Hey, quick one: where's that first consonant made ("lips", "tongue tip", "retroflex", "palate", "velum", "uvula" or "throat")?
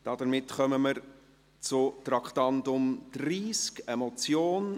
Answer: tongue tip